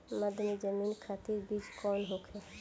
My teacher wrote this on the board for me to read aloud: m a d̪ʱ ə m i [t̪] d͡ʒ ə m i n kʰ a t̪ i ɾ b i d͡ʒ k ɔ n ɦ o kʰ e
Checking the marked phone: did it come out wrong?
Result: yes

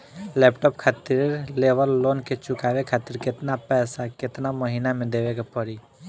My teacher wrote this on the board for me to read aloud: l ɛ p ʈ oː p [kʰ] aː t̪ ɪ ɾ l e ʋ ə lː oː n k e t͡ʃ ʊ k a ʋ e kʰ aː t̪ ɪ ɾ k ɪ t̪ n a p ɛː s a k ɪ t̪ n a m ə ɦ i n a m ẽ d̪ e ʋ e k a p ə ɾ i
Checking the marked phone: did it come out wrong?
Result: no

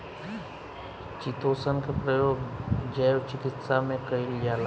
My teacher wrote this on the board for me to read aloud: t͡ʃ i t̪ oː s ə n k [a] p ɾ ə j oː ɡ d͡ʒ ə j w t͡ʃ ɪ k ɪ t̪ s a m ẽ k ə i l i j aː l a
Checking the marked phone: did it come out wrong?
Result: yes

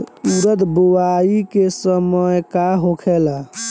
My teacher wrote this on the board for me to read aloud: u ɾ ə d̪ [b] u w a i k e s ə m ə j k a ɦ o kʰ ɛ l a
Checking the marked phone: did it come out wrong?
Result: no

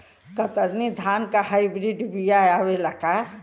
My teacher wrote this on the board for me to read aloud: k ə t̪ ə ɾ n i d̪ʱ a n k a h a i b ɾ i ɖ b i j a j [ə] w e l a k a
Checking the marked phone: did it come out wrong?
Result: yes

